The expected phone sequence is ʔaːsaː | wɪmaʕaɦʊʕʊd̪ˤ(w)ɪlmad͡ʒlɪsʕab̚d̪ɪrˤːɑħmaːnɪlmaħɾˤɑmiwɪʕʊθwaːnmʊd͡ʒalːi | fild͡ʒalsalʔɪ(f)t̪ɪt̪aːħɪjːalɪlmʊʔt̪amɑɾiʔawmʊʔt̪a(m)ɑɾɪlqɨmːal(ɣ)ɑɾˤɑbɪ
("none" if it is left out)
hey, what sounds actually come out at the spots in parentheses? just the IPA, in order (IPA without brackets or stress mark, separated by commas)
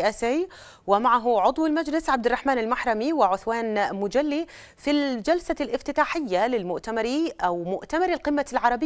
w, f, m, ʕ